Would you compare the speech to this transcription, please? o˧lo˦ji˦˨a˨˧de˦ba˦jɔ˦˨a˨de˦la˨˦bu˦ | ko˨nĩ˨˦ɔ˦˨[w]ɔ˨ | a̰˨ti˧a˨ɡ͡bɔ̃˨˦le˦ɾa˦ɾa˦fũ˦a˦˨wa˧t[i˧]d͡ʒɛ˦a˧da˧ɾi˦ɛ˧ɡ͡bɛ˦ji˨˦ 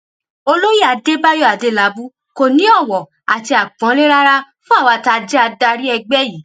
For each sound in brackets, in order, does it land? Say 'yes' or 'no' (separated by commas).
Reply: yes, no